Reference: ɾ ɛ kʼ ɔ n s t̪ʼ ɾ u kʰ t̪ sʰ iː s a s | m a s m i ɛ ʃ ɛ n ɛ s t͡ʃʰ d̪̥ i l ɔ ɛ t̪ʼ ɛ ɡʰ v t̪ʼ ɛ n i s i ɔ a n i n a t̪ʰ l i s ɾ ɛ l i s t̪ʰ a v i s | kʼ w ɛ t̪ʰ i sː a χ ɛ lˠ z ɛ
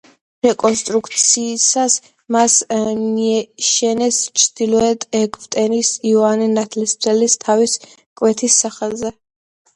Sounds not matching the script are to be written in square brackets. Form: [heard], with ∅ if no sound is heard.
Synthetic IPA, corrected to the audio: ɾ ɛ kʼ ɔ n s t̪ʼ ɾ u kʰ t̪ sʰ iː s a s | m a s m i ɛ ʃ ɛ n ɛ s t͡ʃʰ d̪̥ i l ɔ ɛ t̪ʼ ɛ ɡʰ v t̪ʼ ɛ n i s i ɔ a n i n a t̪ʰ l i s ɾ ɛ l i s t̪ʰ a v i s | kʼ w ɛ t̪ʰ i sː a χ ɛ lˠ z ɛ